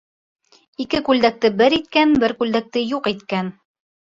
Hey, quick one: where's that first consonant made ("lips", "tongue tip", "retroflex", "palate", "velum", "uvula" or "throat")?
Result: velum